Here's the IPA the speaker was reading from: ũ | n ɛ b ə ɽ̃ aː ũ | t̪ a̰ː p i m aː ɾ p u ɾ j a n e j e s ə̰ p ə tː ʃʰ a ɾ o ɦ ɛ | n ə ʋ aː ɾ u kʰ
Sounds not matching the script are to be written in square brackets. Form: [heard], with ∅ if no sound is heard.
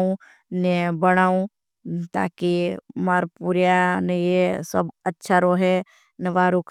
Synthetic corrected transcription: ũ | n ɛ b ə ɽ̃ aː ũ | t̪ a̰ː [k] i m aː ɾ p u ɾ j a n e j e s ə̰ [b] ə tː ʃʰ a ɾ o ɦ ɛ | n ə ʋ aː ɾ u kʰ